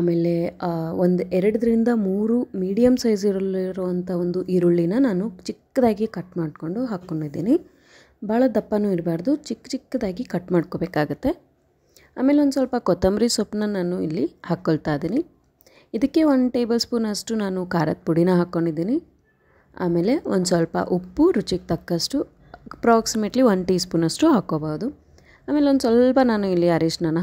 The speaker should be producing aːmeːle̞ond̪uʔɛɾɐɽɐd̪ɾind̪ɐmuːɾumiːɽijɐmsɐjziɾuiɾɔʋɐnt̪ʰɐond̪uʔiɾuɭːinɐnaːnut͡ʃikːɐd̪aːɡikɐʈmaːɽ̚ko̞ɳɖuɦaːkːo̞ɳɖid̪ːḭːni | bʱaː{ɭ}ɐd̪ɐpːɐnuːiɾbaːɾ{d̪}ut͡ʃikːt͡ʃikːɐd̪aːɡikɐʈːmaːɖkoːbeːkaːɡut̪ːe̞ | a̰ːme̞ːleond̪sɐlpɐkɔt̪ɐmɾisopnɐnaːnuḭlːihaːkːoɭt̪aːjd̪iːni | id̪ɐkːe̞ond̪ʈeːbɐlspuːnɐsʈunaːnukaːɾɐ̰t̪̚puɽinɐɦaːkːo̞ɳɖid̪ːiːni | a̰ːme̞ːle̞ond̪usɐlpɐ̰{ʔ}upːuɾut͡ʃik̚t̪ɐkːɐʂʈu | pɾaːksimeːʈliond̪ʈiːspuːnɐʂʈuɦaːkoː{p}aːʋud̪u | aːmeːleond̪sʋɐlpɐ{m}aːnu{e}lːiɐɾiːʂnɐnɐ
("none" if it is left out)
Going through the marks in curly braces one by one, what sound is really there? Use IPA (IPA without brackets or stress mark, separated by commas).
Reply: ɭ, d̪, ʔ, b, n, i